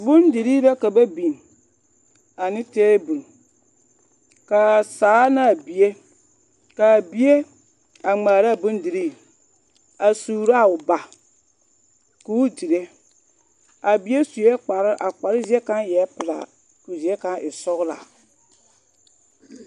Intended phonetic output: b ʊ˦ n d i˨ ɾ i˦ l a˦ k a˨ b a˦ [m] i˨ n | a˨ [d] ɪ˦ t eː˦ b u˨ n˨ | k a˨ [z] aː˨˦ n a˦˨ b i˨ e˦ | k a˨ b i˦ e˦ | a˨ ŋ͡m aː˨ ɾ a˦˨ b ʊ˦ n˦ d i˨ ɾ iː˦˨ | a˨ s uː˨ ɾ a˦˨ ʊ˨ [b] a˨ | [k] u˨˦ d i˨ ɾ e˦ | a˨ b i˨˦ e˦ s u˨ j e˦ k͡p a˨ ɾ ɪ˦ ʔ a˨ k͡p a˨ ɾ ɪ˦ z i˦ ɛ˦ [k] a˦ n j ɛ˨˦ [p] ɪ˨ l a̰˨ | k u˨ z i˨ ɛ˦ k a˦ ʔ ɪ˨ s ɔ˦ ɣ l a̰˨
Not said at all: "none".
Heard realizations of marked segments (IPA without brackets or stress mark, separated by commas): b, n, s, b, k, k, p